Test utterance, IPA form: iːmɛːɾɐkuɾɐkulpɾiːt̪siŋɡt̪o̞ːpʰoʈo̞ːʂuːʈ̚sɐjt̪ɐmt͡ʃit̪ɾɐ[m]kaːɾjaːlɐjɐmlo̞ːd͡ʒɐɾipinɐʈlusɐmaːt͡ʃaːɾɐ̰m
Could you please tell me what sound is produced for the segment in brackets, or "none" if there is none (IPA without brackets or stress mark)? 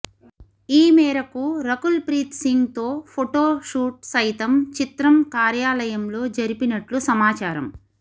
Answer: m